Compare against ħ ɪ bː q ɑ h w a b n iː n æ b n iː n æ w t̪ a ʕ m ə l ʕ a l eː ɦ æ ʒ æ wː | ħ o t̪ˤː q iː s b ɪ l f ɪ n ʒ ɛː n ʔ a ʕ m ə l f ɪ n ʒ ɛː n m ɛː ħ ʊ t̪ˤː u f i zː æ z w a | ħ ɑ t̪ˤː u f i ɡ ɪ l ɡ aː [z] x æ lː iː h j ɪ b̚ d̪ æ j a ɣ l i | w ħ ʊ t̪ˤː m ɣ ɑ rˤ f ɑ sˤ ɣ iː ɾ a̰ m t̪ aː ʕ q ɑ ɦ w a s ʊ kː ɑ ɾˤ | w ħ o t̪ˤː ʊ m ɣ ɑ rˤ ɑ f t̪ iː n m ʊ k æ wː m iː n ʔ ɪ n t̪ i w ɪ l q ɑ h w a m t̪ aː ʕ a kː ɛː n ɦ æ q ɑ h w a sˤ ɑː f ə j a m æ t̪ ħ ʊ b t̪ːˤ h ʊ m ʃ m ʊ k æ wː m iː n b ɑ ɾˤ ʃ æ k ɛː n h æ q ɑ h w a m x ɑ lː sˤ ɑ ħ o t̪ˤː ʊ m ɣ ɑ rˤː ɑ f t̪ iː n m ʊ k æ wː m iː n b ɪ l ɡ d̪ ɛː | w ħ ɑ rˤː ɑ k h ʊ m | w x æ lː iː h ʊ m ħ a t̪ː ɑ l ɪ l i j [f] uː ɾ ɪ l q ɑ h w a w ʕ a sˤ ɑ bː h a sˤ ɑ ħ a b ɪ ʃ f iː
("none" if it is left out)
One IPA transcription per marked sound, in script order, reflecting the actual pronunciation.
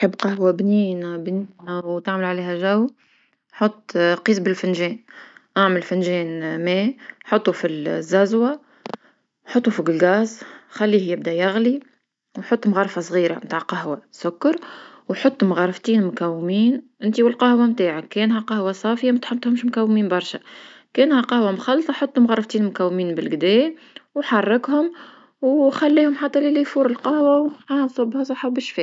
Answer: z, f

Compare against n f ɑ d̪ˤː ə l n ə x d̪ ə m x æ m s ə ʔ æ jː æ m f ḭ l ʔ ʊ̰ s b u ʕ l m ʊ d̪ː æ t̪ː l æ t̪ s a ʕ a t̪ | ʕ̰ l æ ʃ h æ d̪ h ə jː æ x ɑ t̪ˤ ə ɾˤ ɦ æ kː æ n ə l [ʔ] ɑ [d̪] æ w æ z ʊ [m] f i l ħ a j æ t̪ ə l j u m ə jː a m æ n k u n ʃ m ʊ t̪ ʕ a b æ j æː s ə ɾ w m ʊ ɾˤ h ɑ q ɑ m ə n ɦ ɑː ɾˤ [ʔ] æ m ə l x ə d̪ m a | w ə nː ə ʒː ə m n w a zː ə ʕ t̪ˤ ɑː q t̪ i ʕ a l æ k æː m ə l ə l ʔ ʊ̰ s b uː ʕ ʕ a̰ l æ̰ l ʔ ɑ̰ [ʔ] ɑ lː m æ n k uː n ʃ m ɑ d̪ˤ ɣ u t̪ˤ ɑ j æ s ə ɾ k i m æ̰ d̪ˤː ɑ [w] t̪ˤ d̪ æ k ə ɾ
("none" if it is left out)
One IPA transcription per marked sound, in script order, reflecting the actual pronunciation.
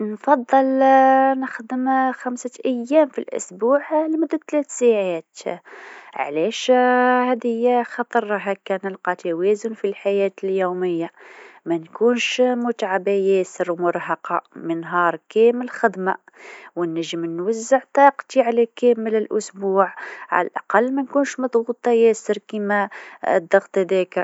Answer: q, t̪, n, k, q, ɣ

